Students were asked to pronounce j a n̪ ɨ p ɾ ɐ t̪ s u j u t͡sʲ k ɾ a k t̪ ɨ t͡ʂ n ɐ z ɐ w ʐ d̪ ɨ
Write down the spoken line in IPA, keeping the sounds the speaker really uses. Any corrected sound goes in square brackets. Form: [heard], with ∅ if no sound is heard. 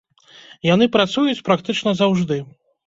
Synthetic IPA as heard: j a n̪ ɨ p ɾ [a] t̪ s u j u t͡sʲ [p] ɾ a k t̪ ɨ t͡ʂ n ɐ z [a] w ʐ d̪ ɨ

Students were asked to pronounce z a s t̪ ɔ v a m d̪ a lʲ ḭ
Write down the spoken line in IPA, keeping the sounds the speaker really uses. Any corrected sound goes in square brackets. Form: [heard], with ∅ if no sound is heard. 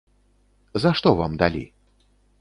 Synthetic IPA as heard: z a [ʂ] t̪ ɔ v a m d̪ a lʲ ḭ

